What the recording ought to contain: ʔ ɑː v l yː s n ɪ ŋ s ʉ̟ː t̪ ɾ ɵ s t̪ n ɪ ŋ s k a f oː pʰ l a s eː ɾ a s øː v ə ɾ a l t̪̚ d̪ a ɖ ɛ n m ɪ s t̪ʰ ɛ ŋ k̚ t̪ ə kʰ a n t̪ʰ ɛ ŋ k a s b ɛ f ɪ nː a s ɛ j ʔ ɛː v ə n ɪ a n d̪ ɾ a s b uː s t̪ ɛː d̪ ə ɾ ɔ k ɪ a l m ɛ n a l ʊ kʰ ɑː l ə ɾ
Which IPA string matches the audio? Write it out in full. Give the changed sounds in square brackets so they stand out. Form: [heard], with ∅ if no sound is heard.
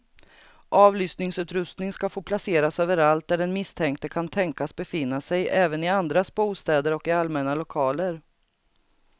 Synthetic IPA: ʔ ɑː v l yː s n ɪ ŋ s ʉ̟ː t̪ ɾ ɵ s t̪ n ɪ ŋ s k a f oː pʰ l a s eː ɾ a s øː v ə ɾ a l t̪̚ d̪ [æ] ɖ ɛ n m ɪ s t̪ʰ ɛ ŋ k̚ t̪ ə kʰ a n t̪ʰ ɛ ŋ k a s b ɛ f ɪ nː a s ɛ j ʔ ɛː v ə n ɪ a n d̪ ɾ a s b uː s t̪ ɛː d̪ ə ɾ ɔ k ɪ a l m ɛ n a l ʊ kʰ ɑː l ə ɾ